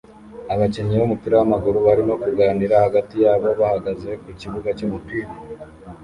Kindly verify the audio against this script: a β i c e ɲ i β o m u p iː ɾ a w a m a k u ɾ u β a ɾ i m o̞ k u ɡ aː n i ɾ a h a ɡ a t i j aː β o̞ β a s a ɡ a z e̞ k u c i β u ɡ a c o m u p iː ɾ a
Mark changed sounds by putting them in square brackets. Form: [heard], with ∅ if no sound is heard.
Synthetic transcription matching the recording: a β [a] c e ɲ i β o m u p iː ɾ a w a m a [ɡ] u ɾ u β a ɾ i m o̞ k u ɡ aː n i ɾ a h a ɡ a t i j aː β o̞ β a [h] a ɡ a z e̞ k u c i β u ɡ a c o m u p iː ɾ a